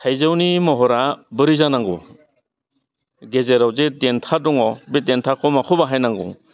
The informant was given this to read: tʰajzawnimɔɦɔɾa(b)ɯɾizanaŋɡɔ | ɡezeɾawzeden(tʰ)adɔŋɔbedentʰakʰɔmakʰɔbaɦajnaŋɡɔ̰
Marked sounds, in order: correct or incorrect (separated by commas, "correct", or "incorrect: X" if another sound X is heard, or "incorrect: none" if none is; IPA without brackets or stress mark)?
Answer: correct, correct